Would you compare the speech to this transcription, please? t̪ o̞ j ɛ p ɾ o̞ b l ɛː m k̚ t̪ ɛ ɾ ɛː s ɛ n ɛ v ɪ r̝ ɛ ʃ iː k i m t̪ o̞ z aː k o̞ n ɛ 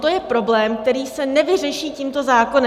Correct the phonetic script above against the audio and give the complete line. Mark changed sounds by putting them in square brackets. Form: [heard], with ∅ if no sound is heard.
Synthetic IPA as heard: t̪ o̞ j ɛ p ɾ o̞ b l ɛː m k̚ t̪ ɛ ɾ [iː] s ɛ n ɛ v ɪ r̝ ɛ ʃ iː [c] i m t̪ o̞ z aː k o̞ n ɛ

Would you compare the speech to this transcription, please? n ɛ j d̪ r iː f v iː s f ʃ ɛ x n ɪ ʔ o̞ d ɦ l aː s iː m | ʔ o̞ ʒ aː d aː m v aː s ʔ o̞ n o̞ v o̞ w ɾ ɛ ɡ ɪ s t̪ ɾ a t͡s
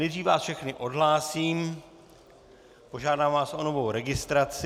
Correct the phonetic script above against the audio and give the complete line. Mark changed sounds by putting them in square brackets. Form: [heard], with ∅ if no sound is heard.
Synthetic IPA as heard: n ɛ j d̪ r iː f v [aː] s f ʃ ɛ x n ɪ ʔ o̞ d ɦ l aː s iː m | [p] o̞ ʒ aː d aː m v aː s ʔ o̞ n o̞ v o̞ w ɾ ɛ ɡ ɪ s t̪ ɾ a t͡s

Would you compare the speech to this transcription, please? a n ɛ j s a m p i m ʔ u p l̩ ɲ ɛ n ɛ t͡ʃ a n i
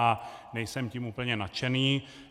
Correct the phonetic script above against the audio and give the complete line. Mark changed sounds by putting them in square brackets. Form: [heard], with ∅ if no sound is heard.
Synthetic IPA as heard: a n ɛ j s [ɛ] m [c] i m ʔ u p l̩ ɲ ɛ n [a] t͡ʃ [ɛ] n [iː]

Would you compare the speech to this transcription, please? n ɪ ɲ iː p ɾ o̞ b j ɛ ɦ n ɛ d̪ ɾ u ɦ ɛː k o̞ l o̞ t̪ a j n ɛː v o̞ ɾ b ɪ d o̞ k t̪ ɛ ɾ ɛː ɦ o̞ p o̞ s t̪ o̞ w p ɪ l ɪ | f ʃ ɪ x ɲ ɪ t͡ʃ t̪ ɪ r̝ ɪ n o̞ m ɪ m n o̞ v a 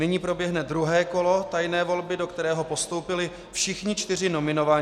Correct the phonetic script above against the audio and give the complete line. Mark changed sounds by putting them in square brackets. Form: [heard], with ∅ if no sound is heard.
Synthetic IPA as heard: n ɪ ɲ iː p ɾ o̞ b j ɛ ɦ n ɛ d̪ ɾ u ɦ ɛː k o̞ l o̞ t̪ a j n ɛː v o̞ [l] b ɪ d o̞ k t̪ ɛ ɾ ɛː ɦ o̞ p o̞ s t̪ o̞ w p ɪ l ɪ | f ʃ ɪ x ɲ ɪ t͡ʃ t̪ ɪ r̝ ɪ n o̞ m ɪ [∅] n o̞ v a

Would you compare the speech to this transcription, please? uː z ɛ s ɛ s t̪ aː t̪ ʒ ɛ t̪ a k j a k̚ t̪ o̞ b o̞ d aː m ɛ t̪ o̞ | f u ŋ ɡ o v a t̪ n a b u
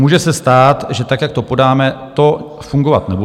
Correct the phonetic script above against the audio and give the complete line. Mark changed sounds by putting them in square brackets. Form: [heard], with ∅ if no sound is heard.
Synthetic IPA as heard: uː [ʒ] ɛ s ɛ s t̪ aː t̪ ʒ ɛ t̪ a k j a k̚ t̪ o̞ [p] o̞ d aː m ɛ t̪ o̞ | f u ŋ ɡ o v a t̪ n [ɛ] b u

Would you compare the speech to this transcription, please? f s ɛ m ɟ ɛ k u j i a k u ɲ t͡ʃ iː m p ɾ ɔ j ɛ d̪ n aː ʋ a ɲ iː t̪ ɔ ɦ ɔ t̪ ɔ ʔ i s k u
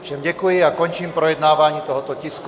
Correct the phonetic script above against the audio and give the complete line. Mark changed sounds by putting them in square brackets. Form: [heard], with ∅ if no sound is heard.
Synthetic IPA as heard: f [ʃ] ɛ m ɟ ɛ k u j i a k [ɔ] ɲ t͡ʃ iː m p ɾ ɔ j ɛ d̪ n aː ʋ a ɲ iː t̪ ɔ ɦ ɔ t̪ ɔ [c] i s k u

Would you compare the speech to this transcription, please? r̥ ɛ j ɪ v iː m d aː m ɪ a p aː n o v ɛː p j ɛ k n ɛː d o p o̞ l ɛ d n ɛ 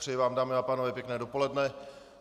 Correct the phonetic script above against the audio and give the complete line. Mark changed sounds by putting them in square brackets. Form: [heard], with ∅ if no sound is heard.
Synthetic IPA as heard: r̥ ɛ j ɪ v [aː] m d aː m ɪ a p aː n o v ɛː p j ɛ k n ɛː d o p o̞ l ɛ d n ɛ

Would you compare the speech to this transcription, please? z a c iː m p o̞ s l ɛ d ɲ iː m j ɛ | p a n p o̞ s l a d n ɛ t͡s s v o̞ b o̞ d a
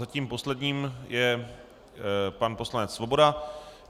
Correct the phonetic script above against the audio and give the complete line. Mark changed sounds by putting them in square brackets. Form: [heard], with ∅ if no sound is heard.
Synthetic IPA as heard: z a c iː m p o̞ s l ɛ d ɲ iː m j ɛ | p a n p o̞ s l a [∅] n ɛ t͡s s v o̞ b o̞ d a

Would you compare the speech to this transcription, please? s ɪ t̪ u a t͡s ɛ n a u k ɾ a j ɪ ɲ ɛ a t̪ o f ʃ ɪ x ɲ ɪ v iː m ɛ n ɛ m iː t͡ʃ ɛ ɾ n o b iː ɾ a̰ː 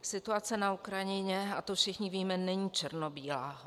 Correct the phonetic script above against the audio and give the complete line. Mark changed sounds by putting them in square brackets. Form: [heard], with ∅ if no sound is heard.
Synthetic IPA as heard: s ɪ t̪ u a t͡s ɛ n a u k ɾ a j ɪ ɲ ɛ a t̪ o f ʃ ɪ x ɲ ɪ v iː m ɛ n ɛ [ɲ] iː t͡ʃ ɛ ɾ n o b iː [l] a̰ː

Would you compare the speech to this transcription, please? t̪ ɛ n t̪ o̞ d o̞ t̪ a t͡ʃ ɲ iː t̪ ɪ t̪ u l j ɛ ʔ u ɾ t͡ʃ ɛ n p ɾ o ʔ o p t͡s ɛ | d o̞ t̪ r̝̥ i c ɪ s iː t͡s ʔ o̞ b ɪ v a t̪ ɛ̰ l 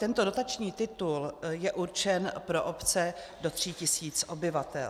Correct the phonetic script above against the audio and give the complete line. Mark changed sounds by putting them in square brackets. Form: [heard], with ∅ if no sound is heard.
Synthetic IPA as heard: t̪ ɛ n t̪ o̞ d o̞ t̪ a t͡ʃ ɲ iː t̪ ɪ t̪ u l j ɛ ʔ u ɾ t͡ʃ ɛ n p ɾ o ʔ o p t͡s ɛ | d o̞ t̪ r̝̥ i c ɪ s iː t͡s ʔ o̞ b ɪ v a t̪ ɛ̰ l

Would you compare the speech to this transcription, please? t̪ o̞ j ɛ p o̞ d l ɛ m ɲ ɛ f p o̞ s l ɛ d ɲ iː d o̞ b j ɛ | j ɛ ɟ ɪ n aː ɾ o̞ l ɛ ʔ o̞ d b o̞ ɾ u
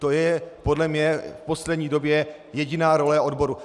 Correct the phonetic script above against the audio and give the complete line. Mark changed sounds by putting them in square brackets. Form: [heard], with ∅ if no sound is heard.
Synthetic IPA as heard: t̪ o̞ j ɛ p o̞ d l ɛ m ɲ ɛ f p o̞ s l ɛ d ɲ iː d o̞ b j ɛ | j ɛ ɟ ɪ n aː ɾ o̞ l ɛ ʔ o̞ d b o̞ ɾ u

